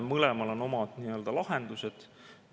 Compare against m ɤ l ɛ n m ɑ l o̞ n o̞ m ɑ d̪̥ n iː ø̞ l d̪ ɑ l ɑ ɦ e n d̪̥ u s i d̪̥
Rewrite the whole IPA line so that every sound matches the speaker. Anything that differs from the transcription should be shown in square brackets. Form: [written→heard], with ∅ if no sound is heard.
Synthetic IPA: m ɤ l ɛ [n→∅] m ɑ l o̞ n o̞ m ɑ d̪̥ n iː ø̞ l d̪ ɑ l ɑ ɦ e n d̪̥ u s [i→e] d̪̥